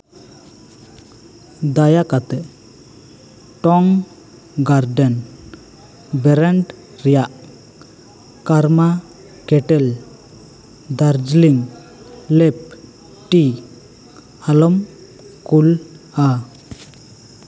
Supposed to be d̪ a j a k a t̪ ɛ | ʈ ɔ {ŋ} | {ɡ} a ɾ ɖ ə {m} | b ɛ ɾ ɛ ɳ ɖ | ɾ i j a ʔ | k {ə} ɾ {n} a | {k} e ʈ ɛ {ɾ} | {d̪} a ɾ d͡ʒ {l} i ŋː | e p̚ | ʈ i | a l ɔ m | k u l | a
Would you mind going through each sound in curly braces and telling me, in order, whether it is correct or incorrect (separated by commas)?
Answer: correct, correct, incorrect, incorrect, incorrect, correct, incorrect, correct, correct